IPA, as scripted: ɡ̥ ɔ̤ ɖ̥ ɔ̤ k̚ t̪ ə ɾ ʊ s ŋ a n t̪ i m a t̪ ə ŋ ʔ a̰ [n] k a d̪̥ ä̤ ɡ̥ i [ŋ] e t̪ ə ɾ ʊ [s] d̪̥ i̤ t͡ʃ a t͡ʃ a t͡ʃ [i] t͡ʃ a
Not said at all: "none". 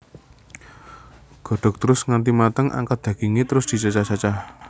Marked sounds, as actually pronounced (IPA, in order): ŋ, ŋ, s, a

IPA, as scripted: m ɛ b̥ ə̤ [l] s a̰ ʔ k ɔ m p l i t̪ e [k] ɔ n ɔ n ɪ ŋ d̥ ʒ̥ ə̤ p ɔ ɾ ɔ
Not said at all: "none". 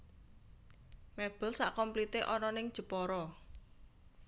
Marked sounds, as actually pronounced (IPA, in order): l, ʔ

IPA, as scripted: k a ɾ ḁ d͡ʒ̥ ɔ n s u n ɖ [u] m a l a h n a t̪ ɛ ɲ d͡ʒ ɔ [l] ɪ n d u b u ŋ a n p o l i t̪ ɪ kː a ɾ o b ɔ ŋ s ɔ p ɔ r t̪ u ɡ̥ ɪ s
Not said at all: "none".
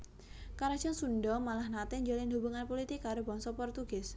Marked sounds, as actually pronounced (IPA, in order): ɔ, l

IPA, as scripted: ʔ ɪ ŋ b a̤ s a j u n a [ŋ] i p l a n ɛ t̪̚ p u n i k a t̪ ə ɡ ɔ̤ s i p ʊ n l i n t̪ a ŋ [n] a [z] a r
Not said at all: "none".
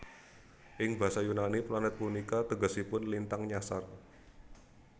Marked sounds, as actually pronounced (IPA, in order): n, ɲ, s

